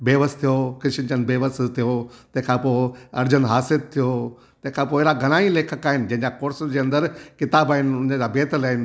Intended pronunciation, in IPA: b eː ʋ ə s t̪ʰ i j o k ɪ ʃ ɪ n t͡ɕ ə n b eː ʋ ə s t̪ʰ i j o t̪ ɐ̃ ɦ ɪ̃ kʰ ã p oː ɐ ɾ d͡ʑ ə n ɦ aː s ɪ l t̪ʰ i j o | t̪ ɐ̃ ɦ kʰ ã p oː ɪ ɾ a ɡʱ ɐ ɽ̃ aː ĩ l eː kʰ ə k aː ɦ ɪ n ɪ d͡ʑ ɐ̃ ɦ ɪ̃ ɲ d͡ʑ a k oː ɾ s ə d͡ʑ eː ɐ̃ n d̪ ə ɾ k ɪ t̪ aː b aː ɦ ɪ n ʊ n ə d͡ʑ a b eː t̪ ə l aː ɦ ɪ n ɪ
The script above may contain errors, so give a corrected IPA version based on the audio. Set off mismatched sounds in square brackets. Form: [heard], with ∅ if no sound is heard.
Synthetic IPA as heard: b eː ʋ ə s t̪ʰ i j o k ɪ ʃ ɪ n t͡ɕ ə n b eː ʋ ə s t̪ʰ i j o t̪ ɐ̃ ɦ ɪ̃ kʰ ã p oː ɐ ɾ d͡ʑ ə n ɦ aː s ɪ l t̪ʰ i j o | t̪ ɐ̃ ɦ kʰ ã p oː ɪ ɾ a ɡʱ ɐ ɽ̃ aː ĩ l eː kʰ ə k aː ɦ ɪ n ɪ d͡ʑ ɐ̃ ɦ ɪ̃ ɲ d͡ʑ a k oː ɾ s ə d͡ʑ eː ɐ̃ n d̪ ə ɾ k ɪ t̪ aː b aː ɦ ɪ n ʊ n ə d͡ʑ a b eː t̪ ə l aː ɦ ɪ n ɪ